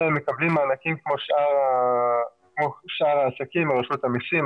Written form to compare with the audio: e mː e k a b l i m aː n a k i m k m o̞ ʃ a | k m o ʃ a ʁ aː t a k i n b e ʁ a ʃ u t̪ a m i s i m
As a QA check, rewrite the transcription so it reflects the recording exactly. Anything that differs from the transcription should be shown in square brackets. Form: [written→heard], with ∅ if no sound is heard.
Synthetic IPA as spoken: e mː e k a b l i m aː n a k i m k m o̞ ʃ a | k m o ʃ a ʁ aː [t→s] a k i [n→m] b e ʁ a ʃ u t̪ a m i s i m